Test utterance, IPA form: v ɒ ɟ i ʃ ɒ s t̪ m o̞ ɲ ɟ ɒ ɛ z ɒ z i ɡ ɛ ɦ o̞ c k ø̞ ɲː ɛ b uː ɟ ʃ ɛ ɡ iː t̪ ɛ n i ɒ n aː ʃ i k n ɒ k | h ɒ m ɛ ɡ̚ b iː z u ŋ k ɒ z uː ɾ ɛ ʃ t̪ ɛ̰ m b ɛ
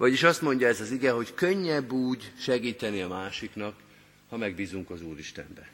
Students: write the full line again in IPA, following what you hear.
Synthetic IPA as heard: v ɒ ɟ i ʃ ɒ s t̪ m o̞ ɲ ɟ ɒ ɛ z ɒ z i ɡ ɛ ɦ o̞ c k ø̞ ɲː ɛ bː uː ɟ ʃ ɛ ɡ iː t̪ ɛ n i ɒ m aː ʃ i k n ɒ k | h ɒ m ɛ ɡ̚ b iː z u ŋ k ɒ z uː ɾ i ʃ t̪ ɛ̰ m b ɛ